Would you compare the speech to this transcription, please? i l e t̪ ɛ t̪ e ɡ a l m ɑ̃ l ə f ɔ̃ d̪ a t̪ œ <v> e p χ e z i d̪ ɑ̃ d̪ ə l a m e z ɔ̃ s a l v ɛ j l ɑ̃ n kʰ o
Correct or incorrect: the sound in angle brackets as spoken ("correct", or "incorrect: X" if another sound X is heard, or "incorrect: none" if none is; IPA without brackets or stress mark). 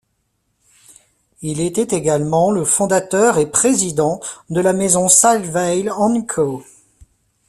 incorrect: ʁ